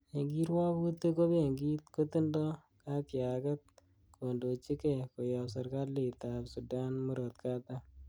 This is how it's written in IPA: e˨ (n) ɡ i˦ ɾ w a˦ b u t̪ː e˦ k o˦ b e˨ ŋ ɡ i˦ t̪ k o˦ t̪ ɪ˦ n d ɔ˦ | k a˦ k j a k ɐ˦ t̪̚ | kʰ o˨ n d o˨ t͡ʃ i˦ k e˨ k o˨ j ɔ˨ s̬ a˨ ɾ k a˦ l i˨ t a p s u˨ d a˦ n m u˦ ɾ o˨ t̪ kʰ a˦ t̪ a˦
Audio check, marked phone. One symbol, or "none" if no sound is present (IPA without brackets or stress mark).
ŋ